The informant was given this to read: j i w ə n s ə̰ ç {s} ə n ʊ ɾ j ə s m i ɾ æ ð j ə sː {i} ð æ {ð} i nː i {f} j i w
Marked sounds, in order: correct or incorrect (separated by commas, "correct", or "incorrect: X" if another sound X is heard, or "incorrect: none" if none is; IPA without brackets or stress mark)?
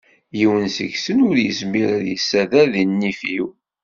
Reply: correct, incorrect: æ, correct, correct